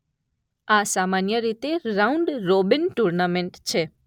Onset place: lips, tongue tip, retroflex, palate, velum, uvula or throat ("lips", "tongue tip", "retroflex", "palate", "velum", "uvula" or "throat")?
tongue tip